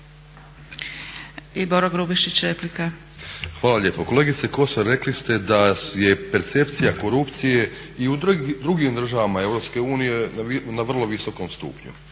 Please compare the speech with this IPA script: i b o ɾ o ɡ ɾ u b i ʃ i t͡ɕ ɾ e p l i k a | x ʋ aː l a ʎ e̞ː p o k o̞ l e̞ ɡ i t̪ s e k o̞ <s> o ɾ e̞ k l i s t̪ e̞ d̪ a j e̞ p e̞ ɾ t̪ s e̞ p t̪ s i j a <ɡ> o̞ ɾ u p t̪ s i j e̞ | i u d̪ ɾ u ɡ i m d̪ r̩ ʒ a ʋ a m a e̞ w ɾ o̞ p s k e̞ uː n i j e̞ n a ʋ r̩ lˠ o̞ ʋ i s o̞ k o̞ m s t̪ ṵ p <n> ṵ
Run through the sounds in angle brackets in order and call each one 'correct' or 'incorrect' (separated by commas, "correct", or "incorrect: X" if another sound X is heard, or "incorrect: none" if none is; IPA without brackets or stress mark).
correct, incorrect: k, incorrect: ɲ